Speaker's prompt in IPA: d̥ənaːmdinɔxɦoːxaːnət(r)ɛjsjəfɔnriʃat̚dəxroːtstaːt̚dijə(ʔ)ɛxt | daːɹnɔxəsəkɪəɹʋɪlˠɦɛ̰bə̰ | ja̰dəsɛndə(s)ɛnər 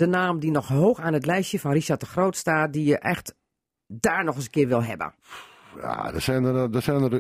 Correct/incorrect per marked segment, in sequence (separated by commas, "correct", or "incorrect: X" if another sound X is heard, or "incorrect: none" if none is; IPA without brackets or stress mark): incorrect: l, correct, correct